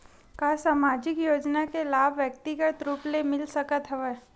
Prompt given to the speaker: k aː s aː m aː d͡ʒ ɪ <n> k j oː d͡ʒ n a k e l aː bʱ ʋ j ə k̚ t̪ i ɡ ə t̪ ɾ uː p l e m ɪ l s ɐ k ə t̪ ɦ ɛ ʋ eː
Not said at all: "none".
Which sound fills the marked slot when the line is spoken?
none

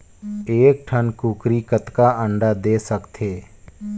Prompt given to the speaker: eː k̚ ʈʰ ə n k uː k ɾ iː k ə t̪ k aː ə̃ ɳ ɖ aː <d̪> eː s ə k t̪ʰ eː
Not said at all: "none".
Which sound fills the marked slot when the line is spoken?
d̪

